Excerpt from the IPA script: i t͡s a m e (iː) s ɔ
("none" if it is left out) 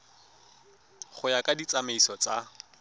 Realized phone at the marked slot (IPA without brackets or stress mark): i